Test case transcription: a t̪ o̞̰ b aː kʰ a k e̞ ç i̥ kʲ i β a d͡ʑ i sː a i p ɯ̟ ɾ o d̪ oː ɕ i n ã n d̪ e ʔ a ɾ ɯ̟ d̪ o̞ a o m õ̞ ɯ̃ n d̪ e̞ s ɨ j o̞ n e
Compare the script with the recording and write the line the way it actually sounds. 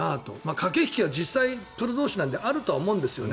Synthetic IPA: a t̪ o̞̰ m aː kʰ a k e̞ ç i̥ kʲ i β a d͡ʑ i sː a i p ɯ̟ ɾ o d̪ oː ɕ i n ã n d̪ e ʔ a ɾ ɯ̟ t̪ o̞ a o m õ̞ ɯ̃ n d̪ e̞ s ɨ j o̞ n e